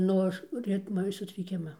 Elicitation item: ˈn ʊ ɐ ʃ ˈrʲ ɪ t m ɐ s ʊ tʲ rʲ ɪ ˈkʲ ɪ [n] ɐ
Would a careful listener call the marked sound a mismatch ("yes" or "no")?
yes